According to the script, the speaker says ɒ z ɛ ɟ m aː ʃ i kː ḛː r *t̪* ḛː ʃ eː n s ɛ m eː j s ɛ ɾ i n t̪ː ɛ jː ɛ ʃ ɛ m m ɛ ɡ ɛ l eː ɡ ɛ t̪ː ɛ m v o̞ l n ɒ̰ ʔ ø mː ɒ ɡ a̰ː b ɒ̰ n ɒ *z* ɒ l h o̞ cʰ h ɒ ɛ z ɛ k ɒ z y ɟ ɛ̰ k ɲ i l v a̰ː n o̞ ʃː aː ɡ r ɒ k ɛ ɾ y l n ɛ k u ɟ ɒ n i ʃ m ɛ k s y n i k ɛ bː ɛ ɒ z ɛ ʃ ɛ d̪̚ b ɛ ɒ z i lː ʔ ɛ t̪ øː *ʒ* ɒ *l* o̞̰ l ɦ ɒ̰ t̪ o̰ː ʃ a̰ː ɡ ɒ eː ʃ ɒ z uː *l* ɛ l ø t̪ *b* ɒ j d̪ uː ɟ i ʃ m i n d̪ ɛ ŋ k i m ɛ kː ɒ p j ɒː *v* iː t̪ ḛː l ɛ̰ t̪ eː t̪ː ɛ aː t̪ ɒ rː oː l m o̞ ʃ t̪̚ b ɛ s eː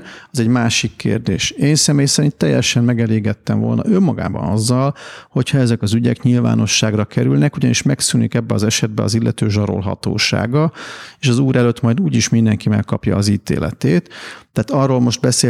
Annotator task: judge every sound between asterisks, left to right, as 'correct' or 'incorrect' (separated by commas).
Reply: incorrect, incorrect, correct, incorrect, incorrect, incorrect, incorrect